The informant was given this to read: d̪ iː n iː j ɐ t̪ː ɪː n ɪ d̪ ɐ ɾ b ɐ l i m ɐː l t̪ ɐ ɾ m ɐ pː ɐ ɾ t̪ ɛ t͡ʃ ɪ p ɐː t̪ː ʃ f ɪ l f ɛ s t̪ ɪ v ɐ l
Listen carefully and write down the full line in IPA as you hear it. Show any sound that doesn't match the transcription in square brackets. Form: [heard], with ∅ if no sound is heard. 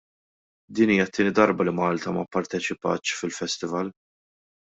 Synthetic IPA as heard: d̪ iː n iː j ɐ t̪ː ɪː n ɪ d̪ ɐ ɾ b ɐ l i m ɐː l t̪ ɐ [∅] m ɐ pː ɐ ɾ t̪ ɛ t͡ʃ ɪ p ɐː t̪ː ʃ f ɪ l f ɛ s t̪ ɪ v ɐ l